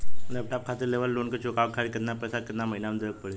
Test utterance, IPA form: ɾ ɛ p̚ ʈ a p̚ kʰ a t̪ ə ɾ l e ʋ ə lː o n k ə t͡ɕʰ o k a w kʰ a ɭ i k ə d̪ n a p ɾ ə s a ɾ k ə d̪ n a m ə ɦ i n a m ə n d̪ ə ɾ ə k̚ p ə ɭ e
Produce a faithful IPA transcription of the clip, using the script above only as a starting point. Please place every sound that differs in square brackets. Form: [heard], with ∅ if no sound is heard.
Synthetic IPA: [l] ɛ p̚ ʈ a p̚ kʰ a t̪ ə ɾ l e ʋ ə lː o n k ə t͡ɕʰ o k a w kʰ a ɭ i k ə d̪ n a p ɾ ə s a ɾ k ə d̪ n a m ə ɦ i n a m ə n d̪ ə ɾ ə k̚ p ə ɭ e